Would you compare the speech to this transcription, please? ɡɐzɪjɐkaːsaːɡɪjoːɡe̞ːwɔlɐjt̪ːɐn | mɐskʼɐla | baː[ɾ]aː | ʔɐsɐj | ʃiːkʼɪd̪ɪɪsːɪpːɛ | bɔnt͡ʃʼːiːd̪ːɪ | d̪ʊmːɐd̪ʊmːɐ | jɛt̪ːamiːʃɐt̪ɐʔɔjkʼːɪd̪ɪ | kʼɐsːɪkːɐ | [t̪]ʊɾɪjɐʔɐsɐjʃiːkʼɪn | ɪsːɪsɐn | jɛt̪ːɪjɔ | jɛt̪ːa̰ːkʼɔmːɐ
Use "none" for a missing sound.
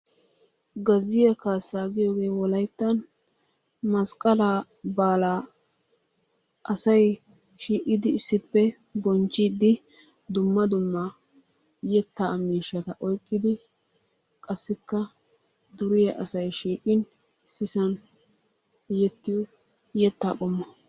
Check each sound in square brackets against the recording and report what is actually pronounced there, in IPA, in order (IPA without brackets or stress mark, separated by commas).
l, d̪